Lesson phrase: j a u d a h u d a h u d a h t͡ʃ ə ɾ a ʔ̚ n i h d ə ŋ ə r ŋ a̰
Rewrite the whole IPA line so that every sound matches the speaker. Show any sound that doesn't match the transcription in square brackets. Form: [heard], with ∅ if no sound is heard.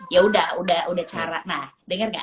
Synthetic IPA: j a u d a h u d a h u d a h t͡ʃ [a] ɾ a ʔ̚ n [a] h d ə ŋ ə r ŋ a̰